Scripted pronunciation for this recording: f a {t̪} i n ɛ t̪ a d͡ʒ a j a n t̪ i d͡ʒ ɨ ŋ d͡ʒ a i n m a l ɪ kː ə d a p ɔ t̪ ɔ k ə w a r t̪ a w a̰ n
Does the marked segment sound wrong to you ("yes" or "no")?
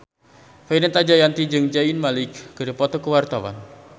yes